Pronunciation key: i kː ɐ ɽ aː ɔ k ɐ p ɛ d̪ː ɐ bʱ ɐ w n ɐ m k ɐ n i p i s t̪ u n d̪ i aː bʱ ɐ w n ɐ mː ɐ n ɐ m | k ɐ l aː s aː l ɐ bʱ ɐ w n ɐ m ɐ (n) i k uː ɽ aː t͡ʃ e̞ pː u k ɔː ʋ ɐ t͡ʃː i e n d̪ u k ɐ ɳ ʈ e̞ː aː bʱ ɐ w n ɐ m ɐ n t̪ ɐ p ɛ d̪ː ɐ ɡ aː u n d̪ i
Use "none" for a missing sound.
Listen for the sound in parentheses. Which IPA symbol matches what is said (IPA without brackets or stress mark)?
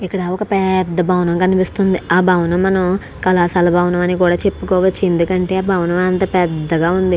n